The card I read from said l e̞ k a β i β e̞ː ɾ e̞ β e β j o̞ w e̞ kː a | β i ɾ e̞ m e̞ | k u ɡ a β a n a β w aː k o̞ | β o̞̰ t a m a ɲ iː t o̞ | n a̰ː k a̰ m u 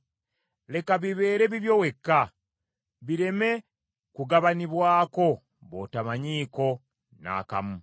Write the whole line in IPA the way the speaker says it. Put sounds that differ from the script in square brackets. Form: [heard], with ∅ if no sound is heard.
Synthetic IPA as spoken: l e̞ k a β i β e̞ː ɾ e̞ β [i] β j o̞ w e̞ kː a | β i ɾ e̞ m e̞ | k u ɡ a β a n [i] β w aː k o̞ | β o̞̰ t a m a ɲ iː [k] o̞ | n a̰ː k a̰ m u

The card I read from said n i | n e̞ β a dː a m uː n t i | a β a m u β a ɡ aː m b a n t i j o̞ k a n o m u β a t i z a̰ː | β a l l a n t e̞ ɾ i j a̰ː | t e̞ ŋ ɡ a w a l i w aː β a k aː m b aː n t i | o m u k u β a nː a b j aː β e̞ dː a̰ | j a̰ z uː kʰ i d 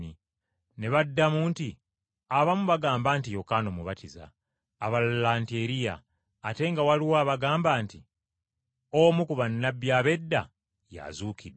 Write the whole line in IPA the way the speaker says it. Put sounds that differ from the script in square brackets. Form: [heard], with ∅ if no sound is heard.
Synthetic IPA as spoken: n i | n e̞ β a dː a m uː n t i | a β a m u β a ɡ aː m b a n t i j o̞ k a n o m u β a t i z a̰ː | β a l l a n t e̞ ɾ i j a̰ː | t e̞ ŋ ɡ a w a l i w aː β a [ɡ] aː m b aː n t i | o m u k u β a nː a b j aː β e̞ dː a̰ | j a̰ z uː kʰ i d

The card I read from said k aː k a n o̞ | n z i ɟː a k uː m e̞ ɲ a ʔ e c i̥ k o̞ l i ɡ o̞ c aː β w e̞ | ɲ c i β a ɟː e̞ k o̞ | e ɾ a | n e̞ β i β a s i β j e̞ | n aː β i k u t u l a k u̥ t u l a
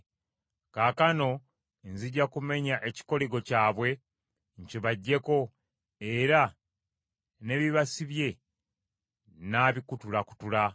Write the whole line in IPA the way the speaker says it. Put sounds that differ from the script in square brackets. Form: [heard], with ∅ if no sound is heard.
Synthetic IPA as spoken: k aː k a n o̞ | n z i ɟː a k [u] m e̞ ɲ a ʔ e c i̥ k o̞ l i ɡ o̞ c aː β w e̞ | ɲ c i β a ɟː e̞ k o̞ | e ɾ a | n e̞ β i β a s i β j e̞ | n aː β i k u t u l a k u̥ t u l a

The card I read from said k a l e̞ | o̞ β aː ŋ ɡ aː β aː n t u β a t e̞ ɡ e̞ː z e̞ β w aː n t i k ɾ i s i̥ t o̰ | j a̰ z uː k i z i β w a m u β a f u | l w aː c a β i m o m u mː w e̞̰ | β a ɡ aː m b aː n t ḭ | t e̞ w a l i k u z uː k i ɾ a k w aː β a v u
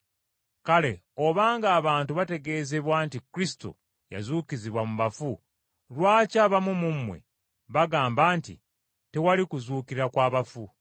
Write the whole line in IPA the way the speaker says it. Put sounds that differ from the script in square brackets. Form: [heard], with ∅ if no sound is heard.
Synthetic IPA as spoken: k a l e̞ | o̞ β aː ŋ ɡ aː β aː n t u β a t e̞ ɡ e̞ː z e̞ β w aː n t i k ɾ i s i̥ t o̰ | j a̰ z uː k i z i β w a m u β a f u | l w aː c a β [a] m [u] m u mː w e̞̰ | β a ɡ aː m b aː n t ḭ | t e̞ w a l i k u z uː k i ɾ a k w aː β a [f] u

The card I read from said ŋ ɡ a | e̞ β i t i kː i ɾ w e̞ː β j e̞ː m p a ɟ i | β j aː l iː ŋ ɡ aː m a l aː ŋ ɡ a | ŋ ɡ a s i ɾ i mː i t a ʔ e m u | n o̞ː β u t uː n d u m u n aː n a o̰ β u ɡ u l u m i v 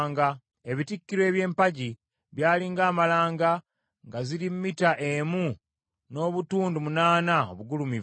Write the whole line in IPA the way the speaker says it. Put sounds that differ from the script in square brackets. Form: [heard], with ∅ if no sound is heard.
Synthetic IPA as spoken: ŋ ɡ a | e̞ β i t i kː i ɾ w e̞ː β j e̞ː m p a ɟ i | β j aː l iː ŋ ɡ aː m a l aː ŋ ɡ a | ŋ ɡ a [z] i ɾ i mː i t a ʔ e m u | n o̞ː β u t uː n d u m u n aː n a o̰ β u ɡ u l u m i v

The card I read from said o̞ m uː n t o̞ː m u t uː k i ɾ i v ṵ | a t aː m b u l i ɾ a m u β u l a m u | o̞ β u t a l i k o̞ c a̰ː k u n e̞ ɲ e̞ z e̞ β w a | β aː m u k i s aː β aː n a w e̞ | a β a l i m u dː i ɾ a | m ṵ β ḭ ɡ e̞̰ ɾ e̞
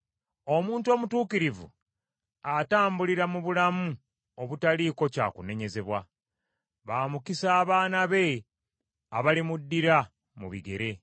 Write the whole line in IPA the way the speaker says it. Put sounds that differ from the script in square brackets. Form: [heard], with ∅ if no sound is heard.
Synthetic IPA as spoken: o̞ m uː n t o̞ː m u t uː k i ɾ i v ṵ | a t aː m b u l i ɾ a m u β u l a m u | o̞ β u t a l i k o̞ c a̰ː k u n e̞ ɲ e̞ z e̞ β w a | β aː m u k i s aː β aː n a [β] e̞ | a β a l i m u dː i ɾ a | m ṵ β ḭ ɡ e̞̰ ɾ e̞

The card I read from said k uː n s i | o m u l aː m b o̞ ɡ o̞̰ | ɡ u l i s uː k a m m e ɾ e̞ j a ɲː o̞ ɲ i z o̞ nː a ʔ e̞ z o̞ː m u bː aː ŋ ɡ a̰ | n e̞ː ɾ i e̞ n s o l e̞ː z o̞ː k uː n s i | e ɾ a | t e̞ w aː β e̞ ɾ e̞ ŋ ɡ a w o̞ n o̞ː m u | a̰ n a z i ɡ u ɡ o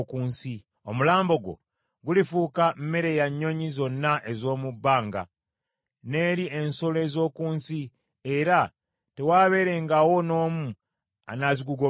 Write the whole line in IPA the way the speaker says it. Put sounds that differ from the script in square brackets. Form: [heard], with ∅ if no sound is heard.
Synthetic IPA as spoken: k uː n s i | o m u l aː m b o̞ ɡ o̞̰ | ɡ u l i [f] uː k a m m e ɾ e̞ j a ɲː o̞ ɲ i z o̞ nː a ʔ e̞ z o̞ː m u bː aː ŋ ɡ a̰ | n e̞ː ɾ i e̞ n s o l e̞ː z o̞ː k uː n s i | e ɾ a | t e̞ w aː β e̞ ɾ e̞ ŋ ɡ a w o̞ n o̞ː m u | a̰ n a z i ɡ u ɡ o

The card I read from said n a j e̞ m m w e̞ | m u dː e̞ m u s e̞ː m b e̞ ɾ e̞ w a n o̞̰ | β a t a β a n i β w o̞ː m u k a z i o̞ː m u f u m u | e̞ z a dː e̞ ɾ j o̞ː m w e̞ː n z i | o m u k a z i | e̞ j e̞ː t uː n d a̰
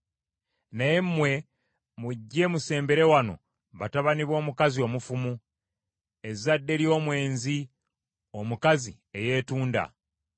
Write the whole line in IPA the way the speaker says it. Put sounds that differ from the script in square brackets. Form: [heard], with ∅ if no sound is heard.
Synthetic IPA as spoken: n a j e̞ m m w e̞ | m u [ɟː] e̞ m u s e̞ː m b e̞ ɾ e̞ w a n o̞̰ | β a t a β a n i β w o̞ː m u k a z i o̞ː m u f u m u | e̞ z a dː e̞ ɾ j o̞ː m w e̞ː n z i | o m u k a z i | e̞ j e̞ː t uː n d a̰

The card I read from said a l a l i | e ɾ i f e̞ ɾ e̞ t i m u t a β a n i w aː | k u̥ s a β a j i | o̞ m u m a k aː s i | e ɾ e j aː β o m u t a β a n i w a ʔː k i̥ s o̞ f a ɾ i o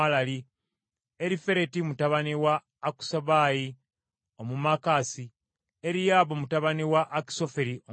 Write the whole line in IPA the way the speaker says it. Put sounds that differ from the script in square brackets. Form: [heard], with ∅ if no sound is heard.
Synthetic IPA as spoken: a l a l i | e ɾ i f e̞ ɾ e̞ t i m u t a β a n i w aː | k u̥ s a β a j i | o̞ m u m a k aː s i | e ɾ [i] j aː β o m u t a β a n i w a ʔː k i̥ s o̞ f [e] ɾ i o

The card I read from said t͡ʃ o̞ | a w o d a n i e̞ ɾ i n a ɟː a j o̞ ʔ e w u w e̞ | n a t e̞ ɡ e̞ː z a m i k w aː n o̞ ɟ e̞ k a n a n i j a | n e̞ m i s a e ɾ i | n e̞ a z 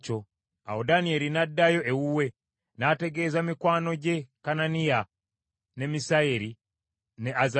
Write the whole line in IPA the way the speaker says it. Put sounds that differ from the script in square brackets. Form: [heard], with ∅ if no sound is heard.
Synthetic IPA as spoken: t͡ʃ o̞ | a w o d a n i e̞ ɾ i n a [dː] a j o̞ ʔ e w u w e̞ | n a t e̞ ɡ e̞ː z a m i k w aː n o̞ ɟ e̞ k a n a n i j a | n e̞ m i s a e ɾ i | n e̞ a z

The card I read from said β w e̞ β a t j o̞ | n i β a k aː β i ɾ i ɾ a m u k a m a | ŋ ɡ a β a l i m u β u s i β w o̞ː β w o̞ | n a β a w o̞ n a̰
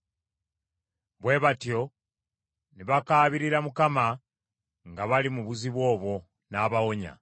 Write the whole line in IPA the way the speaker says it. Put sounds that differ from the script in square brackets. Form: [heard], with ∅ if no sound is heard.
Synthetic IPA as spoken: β w e̞ β a t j o̞ | n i β a k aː β i ɾ i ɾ a m u k a m a | ŋ ɡ a β a l i m u β u [z] i β w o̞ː β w o̞ | n a β a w o̞ [ɲ] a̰

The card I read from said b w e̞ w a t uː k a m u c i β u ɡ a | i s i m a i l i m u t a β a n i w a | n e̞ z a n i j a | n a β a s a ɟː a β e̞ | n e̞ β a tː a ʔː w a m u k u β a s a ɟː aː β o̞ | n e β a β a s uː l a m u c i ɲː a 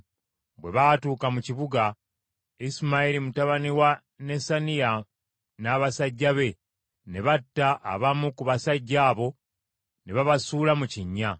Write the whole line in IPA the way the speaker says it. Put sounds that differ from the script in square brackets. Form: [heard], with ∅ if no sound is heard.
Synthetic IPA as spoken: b w e̞ [β] a t uː k a m u c i β u ɡ a | i s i m a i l i m u t a β a n i w a | n e̞ [s] a n i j a | n a β a s a ɟː a β e̞ | n e̞ β a tː a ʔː [β] a m u k u β a s a ɟː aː β o̞ | n e β a β a s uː l a m u c i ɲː a

